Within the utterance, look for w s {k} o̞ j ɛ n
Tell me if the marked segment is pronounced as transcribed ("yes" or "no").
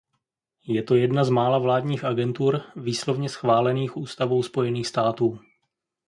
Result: no